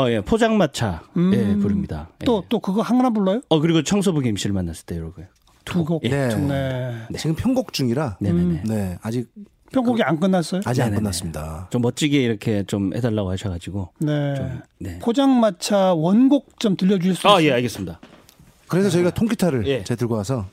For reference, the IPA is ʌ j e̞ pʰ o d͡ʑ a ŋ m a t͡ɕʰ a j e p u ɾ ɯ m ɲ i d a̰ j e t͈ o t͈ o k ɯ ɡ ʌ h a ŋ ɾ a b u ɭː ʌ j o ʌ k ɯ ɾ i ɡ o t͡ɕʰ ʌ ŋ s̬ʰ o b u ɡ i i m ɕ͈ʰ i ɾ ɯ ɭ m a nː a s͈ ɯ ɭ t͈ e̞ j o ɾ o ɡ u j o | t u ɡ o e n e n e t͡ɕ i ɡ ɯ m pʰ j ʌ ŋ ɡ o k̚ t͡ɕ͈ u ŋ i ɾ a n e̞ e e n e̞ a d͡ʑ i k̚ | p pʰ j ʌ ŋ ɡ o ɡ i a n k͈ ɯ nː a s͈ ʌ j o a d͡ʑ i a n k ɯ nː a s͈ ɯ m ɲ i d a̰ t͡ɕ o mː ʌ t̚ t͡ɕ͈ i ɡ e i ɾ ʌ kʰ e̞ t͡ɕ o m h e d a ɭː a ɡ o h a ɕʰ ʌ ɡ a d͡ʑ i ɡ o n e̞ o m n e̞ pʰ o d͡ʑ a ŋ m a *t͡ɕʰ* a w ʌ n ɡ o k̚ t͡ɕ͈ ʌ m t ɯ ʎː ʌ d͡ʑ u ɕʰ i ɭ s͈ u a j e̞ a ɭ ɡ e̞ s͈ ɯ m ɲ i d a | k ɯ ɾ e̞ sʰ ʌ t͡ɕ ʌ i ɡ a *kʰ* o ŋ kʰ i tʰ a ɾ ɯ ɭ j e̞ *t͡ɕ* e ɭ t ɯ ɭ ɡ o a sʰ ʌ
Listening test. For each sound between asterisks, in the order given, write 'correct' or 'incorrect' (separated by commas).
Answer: correct, incorrect, correct